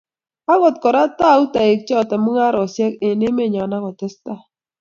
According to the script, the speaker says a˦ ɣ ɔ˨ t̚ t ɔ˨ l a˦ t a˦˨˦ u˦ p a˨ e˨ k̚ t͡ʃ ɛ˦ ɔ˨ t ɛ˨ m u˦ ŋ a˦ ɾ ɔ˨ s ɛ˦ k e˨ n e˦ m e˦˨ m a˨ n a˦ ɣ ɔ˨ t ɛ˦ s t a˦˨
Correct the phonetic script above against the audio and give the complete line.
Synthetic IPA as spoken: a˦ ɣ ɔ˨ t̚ k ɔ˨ ɾ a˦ t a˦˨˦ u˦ t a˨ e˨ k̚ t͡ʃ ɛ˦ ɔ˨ t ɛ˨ m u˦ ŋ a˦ ɾ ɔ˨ s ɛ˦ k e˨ n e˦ m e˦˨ ɲ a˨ n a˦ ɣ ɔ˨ t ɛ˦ s t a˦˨